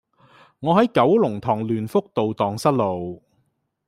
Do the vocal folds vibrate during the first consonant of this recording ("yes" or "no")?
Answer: yes